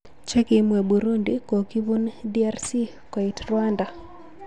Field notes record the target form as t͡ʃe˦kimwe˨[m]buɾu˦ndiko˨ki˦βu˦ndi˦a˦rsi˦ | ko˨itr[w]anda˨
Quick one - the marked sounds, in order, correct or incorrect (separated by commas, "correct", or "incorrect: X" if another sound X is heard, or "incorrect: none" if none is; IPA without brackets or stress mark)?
incorrect: none, correct